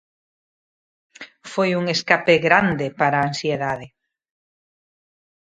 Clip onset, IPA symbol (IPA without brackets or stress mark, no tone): f